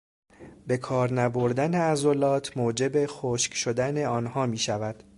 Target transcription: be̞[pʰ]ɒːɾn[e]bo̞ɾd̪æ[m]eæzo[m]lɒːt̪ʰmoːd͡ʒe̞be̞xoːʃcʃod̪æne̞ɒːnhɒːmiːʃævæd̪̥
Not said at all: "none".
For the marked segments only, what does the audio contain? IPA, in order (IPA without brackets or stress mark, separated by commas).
kʰ, æ, n, none